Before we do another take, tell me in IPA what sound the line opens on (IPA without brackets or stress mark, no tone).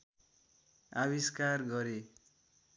a